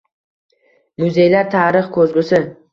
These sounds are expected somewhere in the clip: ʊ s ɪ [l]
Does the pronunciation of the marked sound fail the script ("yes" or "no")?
yes